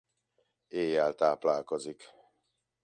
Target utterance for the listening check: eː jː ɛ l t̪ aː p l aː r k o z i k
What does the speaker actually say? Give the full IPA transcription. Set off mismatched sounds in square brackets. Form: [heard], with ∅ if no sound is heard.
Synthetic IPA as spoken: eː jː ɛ l t̪ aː p l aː [l] k o z i k